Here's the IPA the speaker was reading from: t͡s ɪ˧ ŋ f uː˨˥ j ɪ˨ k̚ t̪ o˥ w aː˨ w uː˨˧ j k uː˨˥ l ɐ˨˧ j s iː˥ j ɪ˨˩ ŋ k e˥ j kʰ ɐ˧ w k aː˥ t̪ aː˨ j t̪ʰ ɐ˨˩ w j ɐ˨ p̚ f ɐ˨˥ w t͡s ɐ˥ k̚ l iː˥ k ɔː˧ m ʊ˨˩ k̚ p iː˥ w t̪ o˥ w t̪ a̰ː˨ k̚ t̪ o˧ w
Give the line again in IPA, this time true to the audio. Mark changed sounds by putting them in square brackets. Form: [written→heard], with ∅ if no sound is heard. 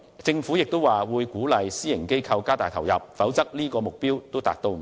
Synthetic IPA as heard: t͡s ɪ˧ ŋ f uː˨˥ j ɪ˨ k̚ t̪ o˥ w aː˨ w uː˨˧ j k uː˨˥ l ɐ˨˧ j s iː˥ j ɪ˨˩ ŋ k e˥ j kʰ ɐ˧ w k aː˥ t̪ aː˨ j t̪ʰ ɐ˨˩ w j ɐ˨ p̚ f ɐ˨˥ w t͡s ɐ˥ k̚ l iː˥ k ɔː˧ m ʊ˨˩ k̚ p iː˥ w t̪ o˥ w t̪ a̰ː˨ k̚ t̪ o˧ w